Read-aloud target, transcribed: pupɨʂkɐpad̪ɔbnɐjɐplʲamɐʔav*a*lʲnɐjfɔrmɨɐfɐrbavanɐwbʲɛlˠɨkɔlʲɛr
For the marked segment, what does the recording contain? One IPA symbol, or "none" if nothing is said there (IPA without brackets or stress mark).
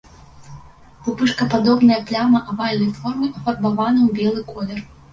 a